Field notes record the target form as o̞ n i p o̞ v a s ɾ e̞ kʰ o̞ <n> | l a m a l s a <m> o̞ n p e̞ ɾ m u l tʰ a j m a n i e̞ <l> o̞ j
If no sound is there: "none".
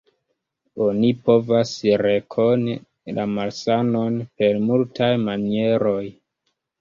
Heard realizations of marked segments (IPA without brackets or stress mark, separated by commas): n, n, ɾ